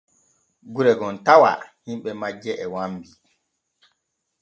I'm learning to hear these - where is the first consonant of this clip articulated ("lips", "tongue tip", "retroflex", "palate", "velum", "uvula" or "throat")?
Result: velum